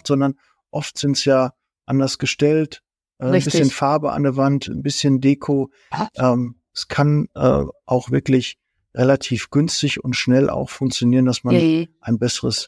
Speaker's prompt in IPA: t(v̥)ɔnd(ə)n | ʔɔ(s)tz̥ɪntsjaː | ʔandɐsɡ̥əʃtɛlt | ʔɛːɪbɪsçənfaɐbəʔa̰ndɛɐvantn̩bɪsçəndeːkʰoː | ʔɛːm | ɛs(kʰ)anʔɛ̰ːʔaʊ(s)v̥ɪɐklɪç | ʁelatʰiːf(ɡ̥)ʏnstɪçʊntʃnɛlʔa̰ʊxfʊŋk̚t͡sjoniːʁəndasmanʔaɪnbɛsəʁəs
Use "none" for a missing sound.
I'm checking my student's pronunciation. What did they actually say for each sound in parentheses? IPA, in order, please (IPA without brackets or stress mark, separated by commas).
z̥, ɐ, f, kʰ, x, ɡ̥